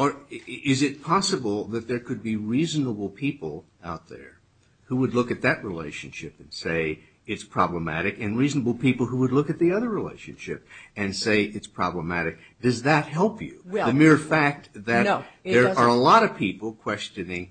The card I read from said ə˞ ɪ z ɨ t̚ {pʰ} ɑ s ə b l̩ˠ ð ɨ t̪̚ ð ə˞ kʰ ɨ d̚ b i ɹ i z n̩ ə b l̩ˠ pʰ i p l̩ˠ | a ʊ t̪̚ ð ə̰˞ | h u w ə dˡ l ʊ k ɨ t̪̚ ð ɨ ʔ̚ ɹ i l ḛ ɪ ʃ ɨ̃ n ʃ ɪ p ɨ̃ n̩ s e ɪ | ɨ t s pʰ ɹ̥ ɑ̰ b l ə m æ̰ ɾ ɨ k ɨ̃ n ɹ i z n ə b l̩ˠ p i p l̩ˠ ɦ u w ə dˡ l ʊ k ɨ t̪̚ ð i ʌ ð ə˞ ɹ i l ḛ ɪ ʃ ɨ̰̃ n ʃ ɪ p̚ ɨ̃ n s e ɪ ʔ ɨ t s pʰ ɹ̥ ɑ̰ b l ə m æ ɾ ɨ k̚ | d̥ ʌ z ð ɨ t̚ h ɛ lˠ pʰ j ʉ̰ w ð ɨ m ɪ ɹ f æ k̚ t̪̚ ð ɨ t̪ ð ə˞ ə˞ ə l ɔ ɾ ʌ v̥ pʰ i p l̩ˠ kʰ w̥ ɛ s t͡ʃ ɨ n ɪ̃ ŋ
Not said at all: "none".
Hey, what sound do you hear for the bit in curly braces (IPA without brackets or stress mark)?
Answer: pʰ